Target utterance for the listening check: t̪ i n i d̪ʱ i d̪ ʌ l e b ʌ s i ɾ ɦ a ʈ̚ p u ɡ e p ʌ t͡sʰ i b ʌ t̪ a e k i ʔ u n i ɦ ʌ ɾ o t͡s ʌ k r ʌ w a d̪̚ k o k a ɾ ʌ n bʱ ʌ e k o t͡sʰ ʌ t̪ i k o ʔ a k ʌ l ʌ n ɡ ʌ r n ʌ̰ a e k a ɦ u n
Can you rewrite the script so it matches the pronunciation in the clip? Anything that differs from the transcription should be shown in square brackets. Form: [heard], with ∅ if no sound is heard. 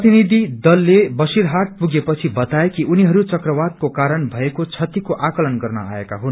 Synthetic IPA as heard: t̪ i n i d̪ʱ i d̪ ʌ [lː] e b ʌ s i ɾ ɦ a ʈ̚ p u ɡ e p ʌ t͡sʰ i b ʌ t̪ a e k i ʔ u n i ɦ ʌ ɾ [u] t͡s ʌ k r ʌ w a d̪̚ k o k a ɾ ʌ n bʱ ʌ e k o t͡sʰ ʌ t̪ i k o ʔ a k ʌ l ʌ n ɡ ʌ r n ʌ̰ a e k a ɦ u n